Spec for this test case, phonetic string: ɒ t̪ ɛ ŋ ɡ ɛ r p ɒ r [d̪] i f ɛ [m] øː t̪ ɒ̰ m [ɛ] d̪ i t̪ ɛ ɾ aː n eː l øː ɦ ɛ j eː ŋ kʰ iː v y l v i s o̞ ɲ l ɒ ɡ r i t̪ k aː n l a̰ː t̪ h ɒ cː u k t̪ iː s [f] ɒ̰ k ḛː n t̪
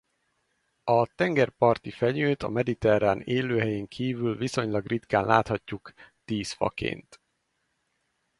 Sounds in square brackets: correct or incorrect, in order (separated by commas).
incorrect, incorrect, correct, correct